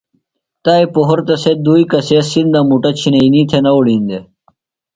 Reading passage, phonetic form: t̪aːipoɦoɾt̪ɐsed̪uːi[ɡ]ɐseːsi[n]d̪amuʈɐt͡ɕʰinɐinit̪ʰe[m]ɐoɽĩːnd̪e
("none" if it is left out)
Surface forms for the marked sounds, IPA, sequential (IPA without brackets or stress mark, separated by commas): k, n, n